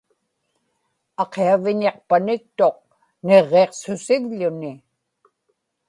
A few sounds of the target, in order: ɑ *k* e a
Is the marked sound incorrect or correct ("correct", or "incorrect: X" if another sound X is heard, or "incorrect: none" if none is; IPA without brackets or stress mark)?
incorrect: q